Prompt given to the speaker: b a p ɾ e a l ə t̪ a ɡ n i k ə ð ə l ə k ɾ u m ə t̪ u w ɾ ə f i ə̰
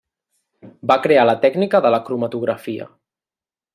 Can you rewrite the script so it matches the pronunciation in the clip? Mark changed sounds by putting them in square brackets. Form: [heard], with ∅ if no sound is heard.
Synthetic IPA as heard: b a [k] ɾ e a l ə t̪ [ɛ] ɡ n i k ə ð ə l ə k ɾ u m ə t̪ u [ɣ] ɾ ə f i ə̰